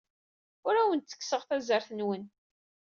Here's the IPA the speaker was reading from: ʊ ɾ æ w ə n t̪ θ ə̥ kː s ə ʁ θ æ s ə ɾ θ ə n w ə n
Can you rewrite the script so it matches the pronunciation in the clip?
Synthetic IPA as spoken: ʊ ɾ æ w ə n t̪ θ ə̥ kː s ə ʁ θ æ z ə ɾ θ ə n w ə n